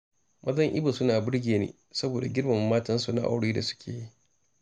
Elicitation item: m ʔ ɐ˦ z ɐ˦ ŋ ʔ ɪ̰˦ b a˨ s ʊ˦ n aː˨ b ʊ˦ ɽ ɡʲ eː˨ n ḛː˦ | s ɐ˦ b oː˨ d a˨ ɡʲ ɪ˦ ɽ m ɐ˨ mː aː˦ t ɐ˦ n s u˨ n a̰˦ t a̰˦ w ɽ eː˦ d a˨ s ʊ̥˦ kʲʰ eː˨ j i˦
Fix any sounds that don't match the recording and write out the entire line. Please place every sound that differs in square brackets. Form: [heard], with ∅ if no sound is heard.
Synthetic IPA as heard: m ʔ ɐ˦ z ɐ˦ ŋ ʔ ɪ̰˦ b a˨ s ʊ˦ n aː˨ b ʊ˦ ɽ ɡʲ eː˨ n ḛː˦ | s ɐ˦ b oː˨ d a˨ ɡʲ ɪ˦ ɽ m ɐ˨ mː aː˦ t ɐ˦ n s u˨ n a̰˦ [ʔ] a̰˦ w ɽ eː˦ d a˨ s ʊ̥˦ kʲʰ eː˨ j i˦